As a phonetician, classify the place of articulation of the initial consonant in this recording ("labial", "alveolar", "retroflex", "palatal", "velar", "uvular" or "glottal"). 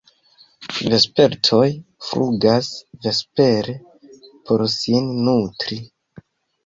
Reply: labial